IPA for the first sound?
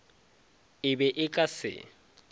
ɪ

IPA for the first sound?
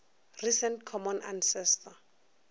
r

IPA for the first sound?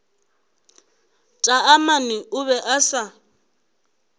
tʼ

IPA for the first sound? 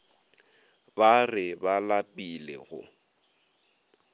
b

